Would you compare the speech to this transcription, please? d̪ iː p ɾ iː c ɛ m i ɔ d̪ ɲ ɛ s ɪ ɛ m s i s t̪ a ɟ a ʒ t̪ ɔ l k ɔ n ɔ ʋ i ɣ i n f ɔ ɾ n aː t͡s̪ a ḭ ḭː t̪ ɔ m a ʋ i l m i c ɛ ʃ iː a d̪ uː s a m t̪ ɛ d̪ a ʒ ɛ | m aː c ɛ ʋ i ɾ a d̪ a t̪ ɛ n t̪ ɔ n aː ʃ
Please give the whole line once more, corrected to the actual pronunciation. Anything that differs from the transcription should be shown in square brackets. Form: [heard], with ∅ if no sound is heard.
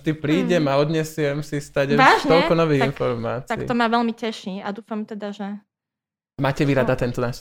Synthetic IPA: d̪ [i] p ɾ iː [ɟ] ɛ m [a] ɔ d̪ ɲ ɛ s ɪ ɛ m s i s t̪ a ɟ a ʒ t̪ ɔ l k ɔ n ɔ ʋ i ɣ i n f ɔ ɾ [m] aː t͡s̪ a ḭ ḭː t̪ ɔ m a ʋ [ɛ] l m i c ɛ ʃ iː a d̪ uː [f] a m t̪ ɛ d̪ a ʒ ɛ | m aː c ɛ ʋ i ɾ a d̪ a t̪ ɛ n t̪ ɔ n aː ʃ